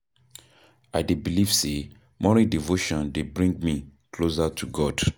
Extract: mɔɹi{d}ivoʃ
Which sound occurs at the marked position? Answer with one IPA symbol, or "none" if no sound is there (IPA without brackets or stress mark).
d